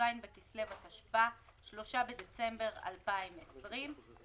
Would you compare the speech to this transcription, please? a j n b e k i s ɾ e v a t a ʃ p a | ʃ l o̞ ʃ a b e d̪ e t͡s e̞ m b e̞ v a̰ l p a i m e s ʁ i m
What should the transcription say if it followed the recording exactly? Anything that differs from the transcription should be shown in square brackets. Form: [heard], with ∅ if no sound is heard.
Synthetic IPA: a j n b e k i s [l] e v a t a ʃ p a | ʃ l o̞ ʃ a b e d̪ e t͡s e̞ m b e̞ [ʁ] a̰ l p a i m e s ʁ i m